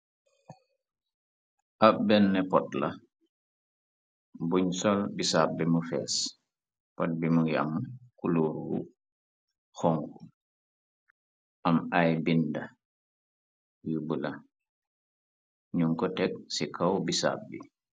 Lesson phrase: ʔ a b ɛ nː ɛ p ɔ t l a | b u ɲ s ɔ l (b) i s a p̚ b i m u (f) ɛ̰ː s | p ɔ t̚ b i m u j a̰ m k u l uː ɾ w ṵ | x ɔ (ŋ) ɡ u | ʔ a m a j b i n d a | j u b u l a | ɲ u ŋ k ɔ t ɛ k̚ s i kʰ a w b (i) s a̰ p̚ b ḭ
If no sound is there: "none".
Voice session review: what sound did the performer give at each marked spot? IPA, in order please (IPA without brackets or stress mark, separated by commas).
b, f, ŋ, i